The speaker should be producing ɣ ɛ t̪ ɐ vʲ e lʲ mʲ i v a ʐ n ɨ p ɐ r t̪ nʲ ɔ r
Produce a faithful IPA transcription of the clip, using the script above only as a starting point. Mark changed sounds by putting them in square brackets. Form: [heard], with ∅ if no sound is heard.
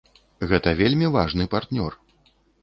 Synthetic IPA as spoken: ɣ ɛ t̪ ɐ vʲ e lʲ mʲ i v a ʐ n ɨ p [a] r t̪ nʲ ɔ r